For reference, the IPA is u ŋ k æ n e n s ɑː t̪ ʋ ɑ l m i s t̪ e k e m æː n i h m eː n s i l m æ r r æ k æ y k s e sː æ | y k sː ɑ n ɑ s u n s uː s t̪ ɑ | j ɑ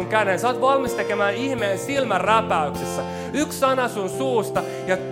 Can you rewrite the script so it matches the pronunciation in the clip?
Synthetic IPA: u ŋ k æ n e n s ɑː t̪ ʋ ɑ l m i s t̪ e k e m æː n i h m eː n s i l m æ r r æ p æ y k s e sː æ | y k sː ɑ n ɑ s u n s uː s t̪ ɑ | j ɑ